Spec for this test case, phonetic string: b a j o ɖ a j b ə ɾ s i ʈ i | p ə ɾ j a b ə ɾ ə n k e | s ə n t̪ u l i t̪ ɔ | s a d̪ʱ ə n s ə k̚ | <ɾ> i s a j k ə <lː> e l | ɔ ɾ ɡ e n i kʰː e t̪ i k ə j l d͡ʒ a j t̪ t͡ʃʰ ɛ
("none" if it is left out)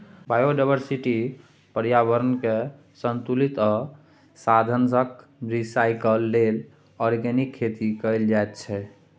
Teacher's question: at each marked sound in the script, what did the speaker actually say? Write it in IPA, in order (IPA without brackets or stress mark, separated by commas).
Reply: ɾ, lː